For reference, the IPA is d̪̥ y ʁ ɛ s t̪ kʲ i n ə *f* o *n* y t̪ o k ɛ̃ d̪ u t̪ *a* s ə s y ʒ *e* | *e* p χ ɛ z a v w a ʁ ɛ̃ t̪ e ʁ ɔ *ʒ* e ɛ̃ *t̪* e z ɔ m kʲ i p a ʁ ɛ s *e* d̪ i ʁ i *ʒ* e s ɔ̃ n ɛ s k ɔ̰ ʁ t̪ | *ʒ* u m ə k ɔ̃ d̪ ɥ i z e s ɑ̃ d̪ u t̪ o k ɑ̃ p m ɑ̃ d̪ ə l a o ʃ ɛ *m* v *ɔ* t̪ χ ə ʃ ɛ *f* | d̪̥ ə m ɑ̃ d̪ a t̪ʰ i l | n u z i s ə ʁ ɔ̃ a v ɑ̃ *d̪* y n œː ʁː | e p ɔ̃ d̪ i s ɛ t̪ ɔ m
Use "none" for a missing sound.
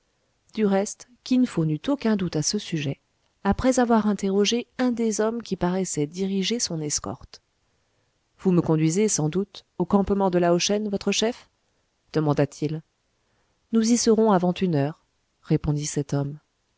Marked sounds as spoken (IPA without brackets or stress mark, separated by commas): f, n, a, ɛ, a, ʒ, d̪, ɛ, ʒ, v, n, ɔ, f, t̪